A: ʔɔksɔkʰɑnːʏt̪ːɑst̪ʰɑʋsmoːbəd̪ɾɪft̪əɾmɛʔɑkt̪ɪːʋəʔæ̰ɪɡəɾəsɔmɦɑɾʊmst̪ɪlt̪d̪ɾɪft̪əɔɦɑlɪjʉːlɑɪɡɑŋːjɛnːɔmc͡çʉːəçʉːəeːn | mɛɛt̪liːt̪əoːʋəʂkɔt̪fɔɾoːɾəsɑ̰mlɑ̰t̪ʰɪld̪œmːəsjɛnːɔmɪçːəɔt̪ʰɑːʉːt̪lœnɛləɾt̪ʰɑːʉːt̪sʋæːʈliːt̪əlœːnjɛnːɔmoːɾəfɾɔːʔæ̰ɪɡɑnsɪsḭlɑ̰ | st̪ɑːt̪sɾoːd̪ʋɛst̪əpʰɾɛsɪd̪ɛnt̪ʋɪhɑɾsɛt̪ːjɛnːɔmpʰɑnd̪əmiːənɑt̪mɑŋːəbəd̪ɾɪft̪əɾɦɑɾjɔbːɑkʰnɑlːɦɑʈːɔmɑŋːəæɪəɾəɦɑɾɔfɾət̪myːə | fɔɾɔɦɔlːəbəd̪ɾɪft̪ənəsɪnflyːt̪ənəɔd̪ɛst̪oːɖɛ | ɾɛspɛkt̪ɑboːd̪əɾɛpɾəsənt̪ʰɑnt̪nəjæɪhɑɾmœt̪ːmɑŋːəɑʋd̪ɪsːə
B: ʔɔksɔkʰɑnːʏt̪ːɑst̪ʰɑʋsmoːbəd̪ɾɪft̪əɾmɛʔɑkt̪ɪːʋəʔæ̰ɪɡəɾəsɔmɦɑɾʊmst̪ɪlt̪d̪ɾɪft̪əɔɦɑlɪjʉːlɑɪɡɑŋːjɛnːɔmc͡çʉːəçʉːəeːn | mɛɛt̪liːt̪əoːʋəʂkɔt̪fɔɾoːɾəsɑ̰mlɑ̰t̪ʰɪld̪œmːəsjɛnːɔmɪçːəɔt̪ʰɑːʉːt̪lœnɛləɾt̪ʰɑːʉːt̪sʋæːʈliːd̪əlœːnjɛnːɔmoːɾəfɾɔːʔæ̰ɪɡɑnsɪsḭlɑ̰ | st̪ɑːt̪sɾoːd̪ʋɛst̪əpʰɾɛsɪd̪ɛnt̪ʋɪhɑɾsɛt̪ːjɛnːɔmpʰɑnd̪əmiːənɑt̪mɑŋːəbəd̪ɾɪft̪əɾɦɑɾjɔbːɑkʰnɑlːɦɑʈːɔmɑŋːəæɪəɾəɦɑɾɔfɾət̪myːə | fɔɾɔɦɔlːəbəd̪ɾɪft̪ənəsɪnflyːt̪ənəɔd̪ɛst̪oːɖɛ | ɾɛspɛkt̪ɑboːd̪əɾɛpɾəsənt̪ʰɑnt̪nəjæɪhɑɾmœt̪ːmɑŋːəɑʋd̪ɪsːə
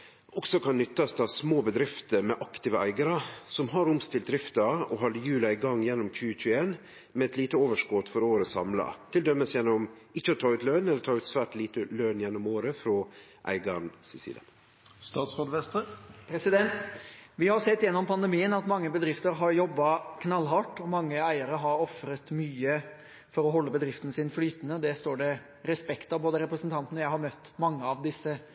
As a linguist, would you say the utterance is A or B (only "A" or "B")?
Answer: A